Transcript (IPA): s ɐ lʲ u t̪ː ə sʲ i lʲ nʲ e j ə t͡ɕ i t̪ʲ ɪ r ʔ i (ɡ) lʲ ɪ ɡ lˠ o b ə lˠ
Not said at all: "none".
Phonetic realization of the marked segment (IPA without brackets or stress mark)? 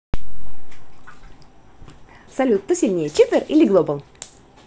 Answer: none